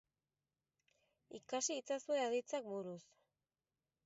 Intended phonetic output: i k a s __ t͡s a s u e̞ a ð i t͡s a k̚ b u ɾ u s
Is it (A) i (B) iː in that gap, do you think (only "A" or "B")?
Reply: B